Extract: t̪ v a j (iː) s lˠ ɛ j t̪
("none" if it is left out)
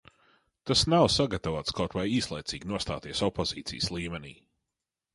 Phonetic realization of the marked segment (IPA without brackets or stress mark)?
iː